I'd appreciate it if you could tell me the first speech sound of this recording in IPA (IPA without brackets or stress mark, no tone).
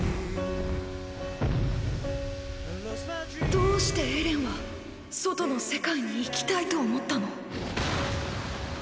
d̪